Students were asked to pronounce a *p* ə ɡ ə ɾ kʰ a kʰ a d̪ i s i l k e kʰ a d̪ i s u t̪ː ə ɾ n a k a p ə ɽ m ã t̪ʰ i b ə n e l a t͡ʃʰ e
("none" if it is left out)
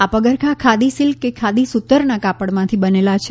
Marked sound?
p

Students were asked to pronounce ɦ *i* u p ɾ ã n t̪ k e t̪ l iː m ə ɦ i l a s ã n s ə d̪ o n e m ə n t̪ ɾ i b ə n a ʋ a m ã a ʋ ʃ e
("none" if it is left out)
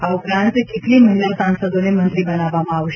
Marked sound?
a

